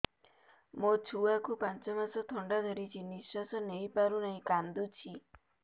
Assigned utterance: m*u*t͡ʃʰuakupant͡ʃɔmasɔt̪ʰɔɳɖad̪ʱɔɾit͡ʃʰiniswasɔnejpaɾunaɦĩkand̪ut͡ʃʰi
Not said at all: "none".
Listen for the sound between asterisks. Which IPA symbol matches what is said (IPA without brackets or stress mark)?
o